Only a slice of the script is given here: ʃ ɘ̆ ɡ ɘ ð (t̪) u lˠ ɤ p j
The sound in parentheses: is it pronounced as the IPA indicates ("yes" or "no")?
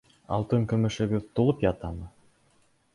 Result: yes